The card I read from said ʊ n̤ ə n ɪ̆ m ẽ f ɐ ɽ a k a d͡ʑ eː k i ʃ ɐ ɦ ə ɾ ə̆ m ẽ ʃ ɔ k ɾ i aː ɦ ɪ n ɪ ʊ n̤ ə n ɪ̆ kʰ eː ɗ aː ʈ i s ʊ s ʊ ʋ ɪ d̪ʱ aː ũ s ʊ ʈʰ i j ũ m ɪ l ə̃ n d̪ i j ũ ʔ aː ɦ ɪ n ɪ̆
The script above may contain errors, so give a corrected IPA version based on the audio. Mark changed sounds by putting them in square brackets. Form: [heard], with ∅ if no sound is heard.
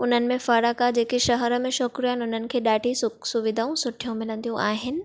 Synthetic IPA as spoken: ʊ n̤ ə n ɪ̆ m ẽ f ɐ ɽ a k a d͡ʑ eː k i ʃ ɐ ɦ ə ɾ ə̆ m ẽ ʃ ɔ k ɾ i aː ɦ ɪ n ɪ ʊ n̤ ə n ɪ̆ kʰ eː ɗ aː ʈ i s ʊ s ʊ ʋ ɪ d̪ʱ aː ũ s ʊ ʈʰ i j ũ m ɪ l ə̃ n d̪ i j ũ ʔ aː ɦ ɪ n ɪ̆

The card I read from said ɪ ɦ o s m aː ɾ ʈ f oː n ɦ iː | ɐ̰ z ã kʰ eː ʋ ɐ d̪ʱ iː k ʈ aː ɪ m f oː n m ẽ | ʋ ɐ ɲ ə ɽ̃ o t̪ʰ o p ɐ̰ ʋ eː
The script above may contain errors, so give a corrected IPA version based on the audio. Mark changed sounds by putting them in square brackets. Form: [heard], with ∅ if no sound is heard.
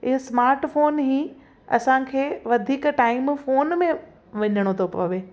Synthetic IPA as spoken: ɪ ɦ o s m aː ɾ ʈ f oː n ɦ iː | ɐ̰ [s] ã kʰ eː ʋ ɐ d̪ʱ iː k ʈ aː ɪ m f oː n m ẽ | ʋ ɐ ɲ ə ɽ̃ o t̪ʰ o p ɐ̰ ʋ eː

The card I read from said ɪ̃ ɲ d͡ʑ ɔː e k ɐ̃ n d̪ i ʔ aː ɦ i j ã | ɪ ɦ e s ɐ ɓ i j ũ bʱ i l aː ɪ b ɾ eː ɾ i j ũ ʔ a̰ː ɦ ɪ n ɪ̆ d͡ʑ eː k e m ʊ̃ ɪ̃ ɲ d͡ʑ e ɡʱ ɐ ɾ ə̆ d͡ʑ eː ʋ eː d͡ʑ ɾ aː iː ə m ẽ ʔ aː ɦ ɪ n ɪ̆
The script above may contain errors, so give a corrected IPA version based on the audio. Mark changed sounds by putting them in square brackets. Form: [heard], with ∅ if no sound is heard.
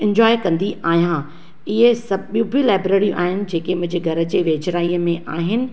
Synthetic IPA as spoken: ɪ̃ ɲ d͡ʑ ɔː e k ɐ̃ n d̪ i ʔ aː ɦ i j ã | ɪ ɦ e s ɐ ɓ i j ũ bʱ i l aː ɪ b ɾ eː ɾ i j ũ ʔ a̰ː ɦ ɪ n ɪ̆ d͡ʑ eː k e m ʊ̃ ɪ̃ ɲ d͡ʑ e ɡʱ ɐ ɾ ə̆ d͡ʑ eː ʋ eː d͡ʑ ɾ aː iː ə m ẽ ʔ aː ɦ ɪ n ɪ̆

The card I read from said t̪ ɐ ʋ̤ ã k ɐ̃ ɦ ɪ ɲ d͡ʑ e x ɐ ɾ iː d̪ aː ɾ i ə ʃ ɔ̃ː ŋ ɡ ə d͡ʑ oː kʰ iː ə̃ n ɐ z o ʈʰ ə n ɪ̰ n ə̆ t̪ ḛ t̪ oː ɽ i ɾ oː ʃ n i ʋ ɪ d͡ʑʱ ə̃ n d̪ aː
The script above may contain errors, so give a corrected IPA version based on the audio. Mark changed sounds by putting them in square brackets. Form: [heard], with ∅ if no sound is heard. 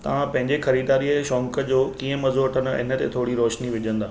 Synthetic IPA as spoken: t̪ ɐ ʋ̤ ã [p] ɐ̃ ɦ ɪ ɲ d͡ʑ e x ɐ ɾ iː d̪ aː ɾ i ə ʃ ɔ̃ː ŋ [k] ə d͡ʑ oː [k] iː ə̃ [m] ɐ z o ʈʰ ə n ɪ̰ n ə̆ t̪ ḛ [t̪ʰ] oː ɽ i ɾ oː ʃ n i ʋ ɪ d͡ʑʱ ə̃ n d̪ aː

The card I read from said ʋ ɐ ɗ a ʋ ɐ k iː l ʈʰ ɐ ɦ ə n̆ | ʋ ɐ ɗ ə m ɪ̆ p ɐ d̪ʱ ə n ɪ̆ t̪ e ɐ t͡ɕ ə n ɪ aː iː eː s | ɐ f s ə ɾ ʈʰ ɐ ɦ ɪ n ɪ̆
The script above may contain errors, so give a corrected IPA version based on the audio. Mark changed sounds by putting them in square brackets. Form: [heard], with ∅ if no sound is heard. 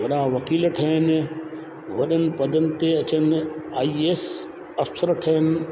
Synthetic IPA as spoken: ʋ ɐ ɗ a ʋ ɐ k iː l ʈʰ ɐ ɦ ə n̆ | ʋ ɐ ɗ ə [n] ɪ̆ p ɐ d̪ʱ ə n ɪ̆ t̪ e ɐ t͡ɕ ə n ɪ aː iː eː s | ɐ f s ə ɾ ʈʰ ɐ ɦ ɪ n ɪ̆

